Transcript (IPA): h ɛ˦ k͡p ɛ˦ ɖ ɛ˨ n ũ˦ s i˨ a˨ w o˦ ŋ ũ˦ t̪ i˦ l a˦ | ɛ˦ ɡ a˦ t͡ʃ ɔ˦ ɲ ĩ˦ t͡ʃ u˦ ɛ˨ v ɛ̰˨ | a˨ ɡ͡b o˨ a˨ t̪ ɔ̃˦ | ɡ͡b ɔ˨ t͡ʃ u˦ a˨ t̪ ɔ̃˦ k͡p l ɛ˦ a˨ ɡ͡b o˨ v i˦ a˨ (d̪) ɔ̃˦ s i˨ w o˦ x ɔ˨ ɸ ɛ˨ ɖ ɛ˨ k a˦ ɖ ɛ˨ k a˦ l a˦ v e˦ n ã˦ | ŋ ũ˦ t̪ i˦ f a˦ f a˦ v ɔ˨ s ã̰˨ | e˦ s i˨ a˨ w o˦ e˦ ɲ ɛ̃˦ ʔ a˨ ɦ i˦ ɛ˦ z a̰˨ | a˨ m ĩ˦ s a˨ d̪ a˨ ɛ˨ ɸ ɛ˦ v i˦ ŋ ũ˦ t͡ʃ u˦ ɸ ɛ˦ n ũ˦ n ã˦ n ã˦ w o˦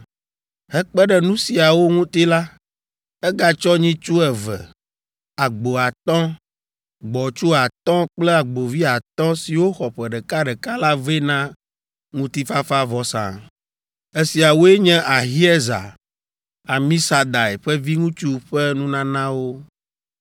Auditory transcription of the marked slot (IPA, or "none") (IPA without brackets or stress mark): t̪